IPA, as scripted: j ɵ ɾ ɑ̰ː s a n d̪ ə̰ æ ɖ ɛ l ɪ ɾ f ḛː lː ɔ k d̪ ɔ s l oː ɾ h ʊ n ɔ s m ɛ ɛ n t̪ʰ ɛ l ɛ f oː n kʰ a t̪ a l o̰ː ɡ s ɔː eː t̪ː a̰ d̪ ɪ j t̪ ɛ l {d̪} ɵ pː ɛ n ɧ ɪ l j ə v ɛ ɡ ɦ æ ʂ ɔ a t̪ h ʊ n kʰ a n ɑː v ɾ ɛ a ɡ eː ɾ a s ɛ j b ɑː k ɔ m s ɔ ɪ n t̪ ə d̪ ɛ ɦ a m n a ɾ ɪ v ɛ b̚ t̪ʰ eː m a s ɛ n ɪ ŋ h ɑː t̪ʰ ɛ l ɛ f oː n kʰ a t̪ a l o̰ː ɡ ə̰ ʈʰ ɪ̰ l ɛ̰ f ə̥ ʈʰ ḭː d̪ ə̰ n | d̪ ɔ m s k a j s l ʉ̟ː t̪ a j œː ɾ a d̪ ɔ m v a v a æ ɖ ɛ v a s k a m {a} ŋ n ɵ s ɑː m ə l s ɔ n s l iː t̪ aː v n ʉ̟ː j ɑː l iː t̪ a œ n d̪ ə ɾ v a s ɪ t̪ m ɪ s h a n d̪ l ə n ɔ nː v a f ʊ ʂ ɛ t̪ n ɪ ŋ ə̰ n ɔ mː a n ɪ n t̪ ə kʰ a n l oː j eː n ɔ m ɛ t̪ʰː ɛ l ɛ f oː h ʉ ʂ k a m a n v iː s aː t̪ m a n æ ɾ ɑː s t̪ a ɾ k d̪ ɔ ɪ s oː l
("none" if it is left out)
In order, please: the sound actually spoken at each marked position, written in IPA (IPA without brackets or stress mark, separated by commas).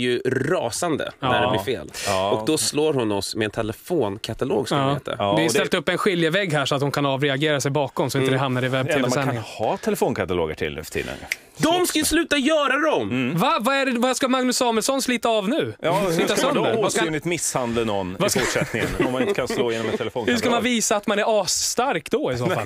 t̪, a